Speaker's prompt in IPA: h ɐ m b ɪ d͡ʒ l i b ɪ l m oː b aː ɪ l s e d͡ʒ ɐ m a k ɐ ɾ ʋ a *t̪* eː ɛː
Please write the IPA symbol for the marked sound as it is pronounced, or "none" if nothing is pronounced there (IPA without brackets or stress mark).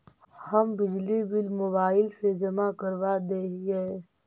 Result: d̪